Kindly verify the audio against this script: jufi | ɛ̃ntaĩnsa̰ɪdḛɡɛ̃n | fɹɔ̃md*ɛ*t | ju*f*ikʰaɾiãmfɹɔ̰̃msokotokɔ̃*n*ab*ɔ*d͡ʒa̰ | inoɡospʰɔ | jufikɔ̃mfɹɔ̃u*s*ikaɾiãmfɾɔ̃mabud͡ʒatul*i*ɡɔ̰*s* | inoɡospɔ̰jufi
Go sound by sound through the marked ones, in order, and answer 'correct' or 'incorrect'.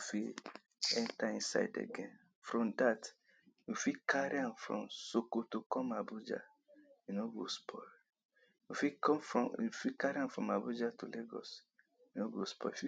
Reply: incorrect: a, correct, incorrect: m, incorrect: u, incorrect: f, incorrect: e, correct

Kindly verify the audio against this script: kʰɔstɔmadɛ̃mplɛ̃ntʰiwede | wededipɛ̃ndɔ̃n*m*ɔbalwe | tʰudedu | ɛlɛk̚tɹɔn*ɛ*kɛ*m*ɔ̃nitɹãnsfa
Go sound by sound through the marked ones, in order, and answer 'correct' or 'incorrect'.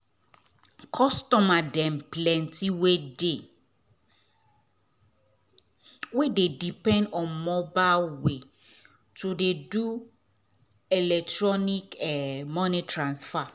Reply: correct, incorrect: i, correct

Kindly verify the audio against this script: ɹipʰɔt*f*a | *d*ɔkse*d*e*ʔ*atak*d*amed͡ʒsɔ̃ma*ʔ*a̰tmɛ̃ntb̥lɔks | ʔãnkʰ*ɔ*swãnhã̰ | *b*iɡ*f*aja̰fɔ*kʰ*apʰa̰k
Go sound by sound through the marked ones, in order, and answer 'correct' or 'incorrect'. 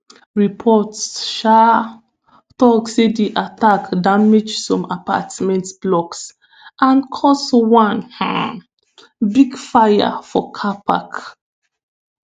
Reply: incorrect: ʃ, incorrect: t, correct, correct, correct, incorrect: p, correct, correct, correct, correct

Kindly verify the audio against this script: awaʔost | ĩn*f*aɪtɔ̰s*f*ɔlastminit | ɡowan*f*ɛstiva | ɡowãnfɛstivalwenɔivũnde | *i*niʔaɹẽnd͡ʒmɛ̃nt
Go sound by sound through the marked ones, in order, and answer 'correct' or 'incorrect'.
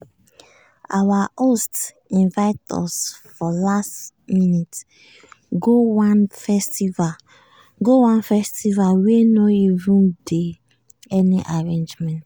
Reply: incorrect: v, correct, correct, incorrect: ɛ

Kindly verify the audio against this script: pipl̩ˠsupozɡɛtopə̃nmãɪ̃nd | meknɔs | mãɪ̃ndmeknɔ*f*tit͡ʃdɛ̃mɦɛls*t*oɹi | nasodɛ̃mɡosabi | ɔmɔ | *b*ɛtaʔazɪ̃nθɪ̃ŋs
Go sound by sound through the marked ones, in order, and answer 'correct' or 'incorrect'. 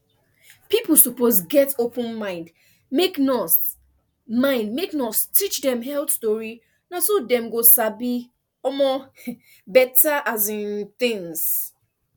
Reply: incorrect: s, correct, correct

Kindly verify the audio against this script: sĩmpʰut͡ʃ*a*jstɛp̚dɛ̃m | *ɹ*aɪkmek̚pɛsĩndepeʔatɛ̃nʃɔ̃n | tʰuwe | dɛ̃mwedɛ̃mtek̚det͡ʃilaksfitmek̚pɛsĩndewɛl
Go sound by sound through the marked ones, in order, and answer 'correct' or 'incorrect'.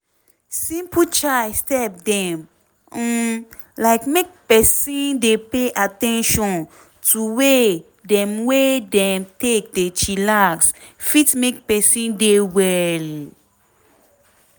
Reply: correct, incorrect: l

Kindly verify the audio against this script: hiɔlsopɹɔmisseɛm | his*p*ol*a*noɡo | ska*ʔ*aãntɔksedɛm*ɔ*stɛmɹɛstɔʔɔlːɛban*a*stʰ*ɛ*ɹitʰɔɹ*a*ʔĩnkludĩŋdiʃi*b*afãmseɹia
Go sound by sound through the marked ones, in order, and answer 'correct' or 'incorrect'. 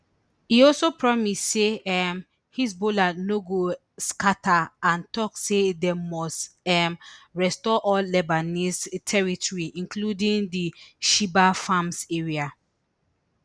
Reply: incorrect: b, correct, incorrect: t, correct, incorrect: i, correct, incorrect: i, correct

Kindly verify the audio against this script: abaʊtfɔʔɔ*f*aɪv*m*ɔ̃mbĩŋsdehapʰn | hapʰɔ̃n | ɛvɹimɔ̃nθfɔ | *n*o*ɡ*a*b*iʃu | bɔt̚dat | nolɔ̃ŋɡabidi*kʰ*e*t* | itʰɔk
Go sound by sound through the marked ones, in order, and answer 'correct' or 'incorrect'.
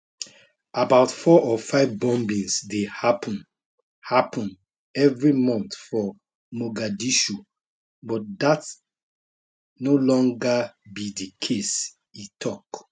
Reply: correct, incorrect: b, incorrect: m, correct, incorrect: d, correct, incorrect: s

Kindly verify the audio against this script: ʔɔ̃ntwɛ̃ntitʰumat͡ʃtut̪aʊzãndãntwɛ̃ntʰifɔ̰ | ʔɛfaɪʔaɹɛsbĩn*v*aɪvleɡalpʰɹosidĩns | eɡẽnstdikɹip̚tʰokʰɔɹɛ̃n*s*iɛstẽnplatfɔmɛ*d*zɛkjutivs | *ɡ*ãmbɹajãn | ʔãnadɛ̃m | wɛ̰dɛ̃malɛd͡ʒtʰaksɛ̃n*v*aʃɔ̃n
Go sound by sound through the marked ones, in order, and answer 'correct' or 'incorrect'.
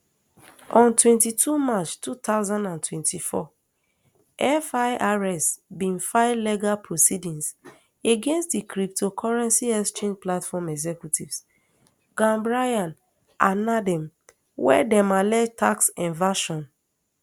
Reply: incorrect: f, correct, incorrect: ɡ, correct, correct

